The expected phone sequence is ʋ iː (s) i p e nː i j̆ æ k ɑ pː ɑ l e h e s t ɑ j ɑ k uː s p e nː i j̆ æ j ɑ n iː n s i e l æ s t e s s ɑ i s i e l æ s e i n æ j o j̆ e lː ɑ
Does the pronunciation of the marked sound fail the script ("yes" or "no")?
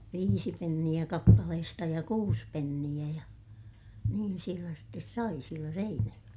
no